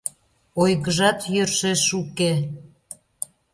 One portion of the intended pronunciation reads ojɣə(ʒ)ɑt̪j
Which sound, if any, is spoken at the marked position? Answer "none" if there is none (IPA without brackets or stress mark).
ʒ